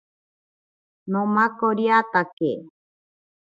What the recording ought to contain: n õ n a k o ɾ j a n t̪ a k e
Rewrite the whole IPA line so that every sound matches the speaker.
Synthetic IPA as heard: n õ m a k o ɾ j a t̪ a k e